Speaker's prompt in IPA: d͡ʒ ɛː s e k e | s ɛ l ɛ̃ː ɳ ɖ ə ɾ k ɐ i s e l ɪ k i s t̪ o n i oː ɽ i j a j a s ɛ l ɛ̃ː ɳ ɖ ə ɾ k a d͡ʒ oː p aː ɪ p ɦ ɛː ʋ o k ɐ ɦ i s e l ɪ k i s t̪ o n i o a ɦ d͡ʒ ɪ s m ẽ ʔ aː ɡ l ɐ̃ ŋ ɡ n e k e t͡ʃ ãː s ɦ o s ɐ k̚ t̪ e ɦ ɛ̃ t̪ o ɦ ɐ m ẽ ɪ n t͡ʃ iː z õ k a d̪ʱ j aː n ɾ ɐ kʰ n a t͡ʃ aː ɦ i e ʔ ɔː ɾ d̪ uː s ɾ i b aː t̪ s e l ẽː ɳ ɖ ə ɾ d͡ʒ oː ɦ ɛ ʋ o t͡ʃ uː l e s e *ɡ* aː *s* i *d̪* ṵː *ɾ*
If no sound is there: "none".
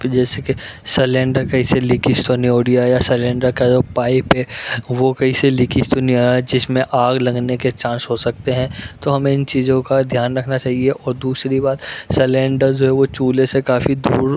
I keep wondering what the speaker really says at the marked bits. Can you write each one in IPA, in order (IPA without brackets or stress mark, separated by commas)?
k, f, d̪, ɾ